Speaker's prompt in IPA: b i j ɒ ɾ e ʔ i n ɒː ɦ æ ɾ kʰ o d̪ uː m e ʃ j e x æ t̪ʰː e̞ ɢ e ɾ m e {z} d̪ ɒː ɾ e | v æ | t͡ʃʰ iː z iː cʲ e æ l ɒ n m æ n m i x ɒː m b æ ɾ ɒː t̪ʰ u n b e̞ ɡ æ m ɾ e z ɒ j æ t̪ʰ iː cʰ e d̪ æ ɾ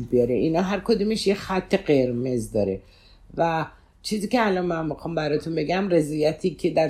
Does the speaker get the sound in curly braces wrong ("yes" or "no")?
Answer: no